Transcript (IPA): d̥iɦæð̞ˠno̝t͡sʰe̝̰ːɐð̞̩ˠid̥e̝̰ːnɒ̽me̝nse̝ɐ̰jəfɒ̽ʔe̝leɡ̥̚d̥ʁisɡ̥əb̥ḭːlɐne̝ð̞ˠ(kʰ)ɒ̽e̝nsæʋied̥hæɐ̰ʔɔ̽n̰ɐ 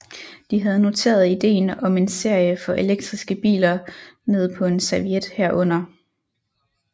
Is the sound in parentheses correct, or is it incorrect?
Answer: incorrect